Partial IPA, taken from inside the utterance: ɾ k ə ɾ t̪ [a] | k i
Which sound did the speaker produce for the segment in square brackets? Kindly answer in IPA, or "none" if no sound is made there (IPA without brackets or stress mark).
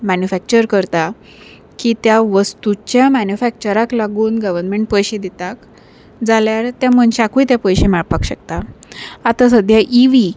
a